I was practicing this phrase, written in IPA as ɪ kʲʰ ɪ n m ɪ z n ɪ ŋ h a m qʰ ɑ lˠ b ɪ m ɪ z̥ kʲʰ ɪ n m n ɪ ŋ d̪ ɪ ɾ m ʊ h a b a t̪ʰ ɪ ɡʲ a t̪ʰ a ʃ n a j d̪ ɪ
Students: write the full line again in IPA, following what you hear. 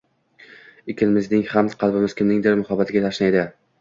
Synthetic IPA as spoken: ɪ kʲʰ ɪ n m ɪ z n ɪ ŋ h a m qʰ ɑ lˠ b ɪ m ɪ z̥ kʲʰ ɪ m n ɪ ŋ d̪ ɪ ɾ m ʊ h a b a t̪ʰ ɪ ɡʲ a t̪ʰ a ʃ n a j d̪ ɪ